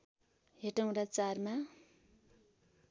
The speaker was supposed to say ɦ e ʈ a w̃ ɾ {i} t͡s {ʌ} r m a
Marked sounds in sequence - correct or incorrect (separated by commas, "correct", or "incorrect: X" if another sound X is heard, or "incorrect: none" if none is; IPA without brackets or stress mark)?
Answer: incorrect: a, incorrect: a